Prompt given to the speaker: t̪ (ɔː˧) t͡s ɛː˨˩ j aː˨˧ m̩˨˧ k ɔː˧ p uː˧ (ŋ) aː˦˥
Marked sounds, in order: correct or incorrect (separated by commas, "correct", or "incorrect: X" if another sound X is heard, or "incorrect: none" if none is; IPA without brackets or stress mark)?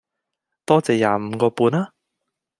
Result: incorrect: ɔː˥, incorrect: n